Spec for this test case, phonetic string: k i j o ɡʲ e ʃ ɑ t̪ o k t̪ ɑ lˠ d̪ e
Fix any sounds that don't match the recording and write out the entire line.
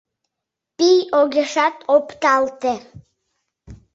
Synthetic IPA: p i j o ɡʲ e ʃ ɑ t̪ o p t̪ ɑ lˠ t̪ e